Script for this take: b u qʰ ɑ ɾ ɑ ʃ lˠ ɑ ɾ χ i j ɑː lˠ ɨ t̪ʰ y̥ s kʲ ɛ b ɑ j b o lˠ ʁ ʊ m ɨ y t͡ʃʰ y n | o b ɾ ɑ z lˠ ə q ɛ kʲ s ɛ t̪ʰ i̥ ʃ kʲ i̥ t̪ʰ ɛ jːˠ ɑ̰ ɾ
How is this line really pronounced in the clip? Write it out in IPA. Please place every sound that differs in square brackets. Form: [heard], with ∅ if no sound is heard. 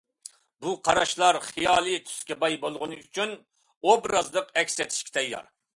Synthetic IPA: b u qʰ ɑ ɾ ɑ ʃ lˠ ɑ ɾ χ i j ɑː lˠ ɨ t̪ʰ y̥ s kʲ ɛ b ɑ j b o lˠ ʁ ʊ [n] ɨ y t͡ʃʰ y n | o b ɾ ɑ z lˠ ə q ɛ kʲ s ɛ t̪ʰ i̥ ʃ kʲ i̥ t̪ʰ ɛ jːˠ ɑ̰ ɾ